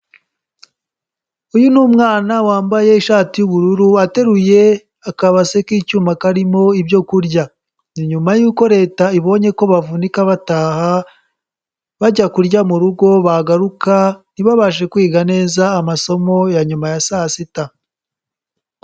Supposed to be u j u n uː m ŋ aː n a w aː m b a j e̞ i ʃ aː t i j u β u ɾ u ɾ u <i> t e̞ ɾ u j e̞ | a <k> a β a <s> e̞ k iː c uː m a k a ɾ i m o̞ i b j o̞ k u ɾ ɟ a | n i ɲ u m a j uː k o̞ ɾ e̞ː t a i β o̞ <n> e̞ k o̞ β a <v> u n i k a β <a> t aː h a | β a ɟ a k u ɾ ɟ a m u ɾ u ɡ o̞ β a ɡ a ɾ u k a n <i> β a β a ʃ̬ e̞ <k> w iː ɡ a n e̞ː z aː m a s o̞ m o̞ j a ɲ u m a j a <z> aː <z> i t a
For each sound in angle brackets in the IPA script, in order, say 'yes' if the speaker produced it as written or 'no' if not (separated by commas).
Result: no, yes, yes, no, yes, yes, yes, yes, no, no